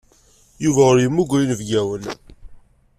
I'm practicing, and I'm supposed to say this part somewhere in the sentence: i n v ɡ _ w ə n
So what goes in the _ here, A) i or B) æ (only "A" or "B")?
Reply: B